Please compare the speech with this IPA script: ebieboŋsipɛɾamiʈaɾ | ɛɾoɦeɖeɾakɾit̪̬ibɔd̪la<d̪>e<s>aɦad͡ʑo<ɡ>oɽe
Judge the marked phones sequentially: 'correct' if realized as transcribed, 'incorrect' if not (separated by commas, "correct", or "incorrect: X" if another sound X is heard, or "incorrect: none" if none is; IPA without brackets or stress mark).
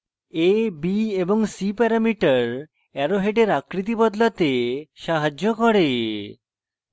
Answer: incorrect: t̪, incorrect: ʃ, incorrect: k